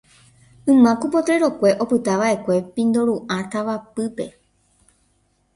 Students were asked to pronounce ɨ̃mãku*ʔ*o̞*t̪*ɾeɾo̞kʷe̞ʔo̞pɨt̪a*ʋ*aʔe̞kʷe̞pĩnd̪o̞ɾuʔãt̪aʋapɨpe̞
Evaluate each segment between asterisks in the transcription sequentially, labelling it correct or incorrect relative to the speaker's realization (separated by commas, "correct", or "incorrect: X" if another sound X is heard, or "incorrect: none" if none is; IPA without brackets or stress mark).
incorrect: p, correct, correct